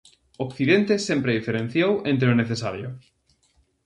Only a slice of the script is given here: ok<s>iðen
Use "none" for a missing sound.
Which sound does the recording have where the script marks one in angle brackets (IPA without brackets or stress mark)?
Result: θ